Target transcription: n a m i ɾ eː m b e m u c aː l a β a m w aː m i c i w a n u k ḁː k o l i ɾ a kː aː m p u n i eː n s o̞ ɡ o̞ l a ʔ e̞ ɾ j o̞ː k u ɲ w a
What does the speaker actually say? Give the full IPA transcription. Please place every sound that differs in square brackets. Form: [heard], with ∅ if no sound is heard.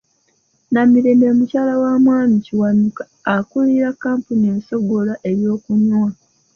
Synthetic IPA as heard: n a m i ɾ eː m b e m u c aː l a [w] a m w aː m i c i w a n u k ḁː k [u] l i ɾ a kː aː m p u n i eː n s o̞ ɡ o̞ l a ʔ e̞ ɾ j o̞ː k u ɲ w a

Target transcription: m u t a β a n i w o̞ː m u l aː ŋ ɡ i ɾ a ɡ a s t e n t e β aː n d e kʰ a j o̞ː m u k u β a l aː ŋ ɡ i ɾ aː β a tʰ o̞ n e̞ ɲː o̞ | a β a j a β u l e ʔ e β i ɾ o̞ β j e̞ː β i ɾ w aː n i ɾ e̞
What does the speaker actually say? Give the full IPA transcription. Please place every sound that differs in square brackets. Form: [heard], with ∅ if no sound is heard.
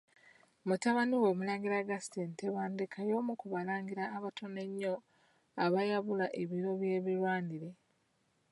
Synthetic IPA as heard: m u t a β a n i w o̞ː m u l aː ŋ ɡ i ɾ a ɡ a s t e n t e β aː n d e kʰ a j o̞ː m u k u β a l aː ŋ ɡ i ɾ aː β a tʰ o̞ n e̞ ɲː o̞ | a β a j a β u l [a] ʔ e β i ɾ o̞ β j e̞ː β i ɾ w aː n i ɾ e̞

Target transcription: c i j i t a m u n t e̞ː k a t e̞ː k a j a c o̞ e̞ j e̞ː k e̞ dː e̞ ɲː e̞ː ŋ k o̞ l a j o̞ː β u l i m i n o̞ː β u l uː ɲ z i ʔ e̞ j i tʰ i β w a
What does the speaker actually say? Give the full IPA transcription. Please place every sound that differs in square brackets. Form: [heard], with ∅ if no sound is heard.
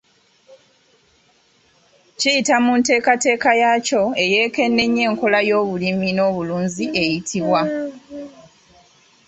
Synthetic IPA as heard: c i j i t a m u n t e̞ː k a t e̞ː k a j a c o̞ e̞ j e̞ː k e̞ [nː] e̞ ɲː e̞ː ŋ k o̞ l a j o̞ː β u l i m i n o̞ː β u l uː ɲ z i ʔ e̞ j i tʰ i β w a

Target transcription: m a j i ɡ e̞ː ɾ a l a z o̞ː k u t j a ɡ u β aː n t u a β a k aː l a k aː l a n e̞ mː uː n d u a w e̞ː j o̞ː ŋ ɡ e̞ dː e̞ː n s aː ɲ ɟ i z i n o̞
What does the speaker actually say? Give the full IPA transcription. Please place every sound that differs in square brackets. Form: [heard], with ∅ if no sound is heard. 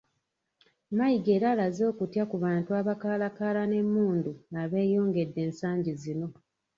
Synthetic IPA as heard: m a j i ɡ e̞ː ɾ a l a z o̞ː k u t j a [k] u β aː n t u a β a k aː l a k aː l a n e̞ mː uː n d u a [β] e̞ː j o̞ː ŋ ɡ e̞ dː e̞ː n s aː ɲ ɟ i z i n o̞

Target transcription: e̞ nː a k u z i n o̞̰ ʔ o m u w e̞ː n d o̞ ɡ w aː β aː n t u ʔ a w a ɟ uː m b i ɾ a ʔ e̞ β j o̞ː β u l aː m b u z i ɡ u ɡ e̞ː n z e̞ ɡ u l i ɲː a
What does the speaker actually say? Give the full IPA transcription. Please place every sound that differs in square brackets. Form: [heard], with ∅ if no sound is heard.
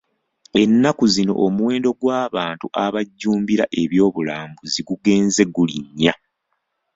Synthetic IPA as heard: e̞ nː a k u z i n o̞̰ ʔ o m u w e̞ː n d o̞ ɡ w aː β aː n t u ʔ a [β] a [ɟː] uː m b i ɾ a ʔ e̞ β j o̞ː β u l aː m b u z i ɡ u ɡ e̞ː n z e̞ ɡ u l i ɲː a

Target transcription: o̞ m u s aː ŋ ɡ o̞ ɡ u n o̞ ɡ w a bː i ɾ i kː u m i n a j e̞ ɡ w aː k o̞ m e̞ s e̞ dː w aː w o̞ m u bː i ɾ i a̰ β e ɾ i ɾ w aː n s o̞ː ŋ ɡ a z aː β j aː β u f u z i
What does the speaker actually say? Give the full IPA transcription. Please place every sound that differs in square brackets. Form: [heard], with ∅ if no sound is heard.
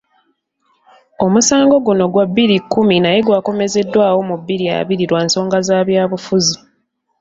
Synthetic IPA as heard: o̞ m u s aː ŋ ɡ o̞ ɡ u n o̞ ɡ w a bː i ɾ i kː u m i n a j e̞ ɡ w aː k o̞ m e̞ [z] e̞ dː w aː w o̞ m u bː i ɾ i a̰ β [i] ɾ i ɾ w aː n s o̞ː ŋ ɡ a z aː β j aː β u f u z i

